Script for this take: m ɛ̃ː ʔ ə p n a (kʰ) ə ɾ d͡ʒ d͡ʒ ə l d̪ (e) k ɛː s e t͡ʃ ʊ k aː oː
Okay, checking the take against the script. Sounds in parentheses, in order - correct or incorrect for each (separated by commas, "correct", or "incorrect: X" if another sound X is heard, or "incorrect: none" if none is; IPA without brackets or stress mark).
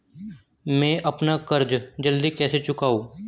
incorrect: k, incorrect: i